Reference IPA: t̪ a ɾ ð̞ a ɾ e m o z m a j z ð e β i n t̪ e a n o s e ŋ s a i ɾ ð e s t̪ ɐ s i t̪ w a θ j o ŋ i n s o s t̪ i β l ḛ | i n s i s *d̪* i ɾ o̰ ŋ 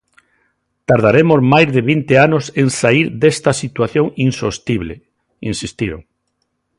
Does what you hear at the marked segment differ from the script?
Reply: yes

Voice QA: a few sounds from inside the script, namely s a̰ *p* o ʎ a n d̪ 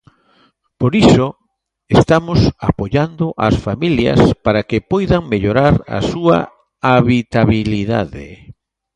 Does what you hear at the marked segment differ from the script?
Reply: no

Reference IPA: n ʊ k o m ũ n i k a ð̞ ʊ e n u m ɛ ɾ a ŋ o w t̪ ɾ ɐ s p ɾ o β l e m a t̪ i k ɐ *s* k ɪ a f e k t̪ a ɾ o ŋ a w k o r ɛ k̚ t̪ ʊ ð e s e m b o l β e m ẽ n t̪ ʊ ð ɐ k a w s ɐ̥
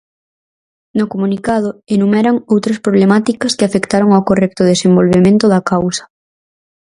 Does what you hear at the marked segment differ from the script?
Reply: no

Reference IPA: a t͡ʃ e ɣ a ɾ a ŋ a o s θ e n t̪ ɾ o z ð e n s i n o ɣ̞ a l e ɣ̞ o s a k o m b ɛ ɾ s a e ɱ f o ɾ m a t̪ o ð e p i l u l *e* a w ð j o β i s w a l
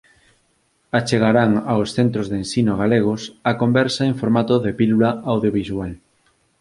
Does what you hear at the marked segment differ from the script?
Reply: yes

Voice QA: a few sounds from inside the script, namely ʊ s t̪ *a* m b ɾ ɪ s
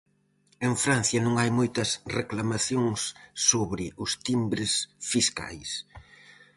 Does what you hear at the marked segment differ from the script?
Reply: yes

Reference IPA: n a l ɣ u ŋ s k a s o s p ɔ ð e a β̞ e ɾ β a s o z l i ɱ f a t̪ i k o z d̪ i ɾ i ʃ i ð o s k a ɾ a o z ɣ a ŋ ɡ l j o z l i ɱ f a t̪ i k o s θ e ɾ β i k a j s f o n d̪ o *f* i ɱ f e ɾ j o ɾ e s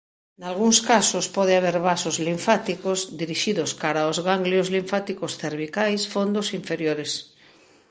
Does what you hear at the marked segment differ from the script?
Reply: yes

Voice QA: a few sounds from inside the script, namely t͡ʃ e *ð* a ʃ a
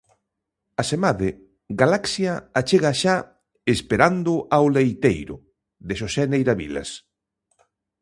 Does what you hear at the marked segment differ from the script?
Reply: yes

